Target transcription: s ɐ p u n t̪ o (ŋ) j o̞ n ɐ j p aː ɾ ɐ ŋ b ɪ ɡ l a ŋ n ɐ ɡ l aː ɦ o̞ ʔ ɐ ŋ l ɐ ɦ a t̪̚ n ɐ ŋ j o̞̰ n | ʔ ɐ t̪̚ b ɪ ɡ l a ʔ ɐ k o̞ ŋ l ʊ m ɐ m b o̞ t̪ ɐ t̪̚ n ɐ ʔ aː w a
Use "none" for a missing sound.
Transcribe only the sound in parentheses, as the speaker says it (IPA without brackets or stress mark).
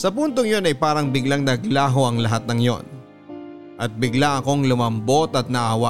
ŋ